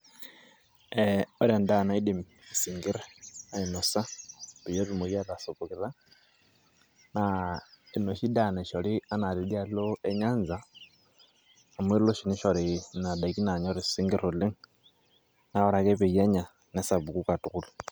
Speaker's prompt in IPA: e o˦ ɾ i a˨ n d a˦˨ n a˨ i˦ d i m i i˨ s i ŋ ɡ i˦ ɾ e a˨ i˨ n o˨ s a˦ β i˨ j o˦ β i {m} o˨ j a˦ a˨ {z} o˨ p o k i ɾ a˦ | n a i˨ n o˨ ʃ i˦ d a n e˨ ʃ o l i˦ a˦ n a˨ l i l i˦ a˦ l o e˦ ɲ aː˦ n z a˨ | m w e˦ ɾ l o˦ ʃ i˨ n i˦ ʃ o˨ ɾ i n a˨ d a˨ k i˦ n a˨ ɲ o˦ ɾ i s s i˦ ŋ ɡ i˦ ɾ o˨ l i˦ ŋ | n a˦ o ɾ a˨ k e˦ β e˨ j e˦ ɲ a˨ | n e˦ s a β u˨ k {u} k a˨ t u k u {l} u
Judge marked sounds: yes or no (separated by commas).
yes, no, yes, yes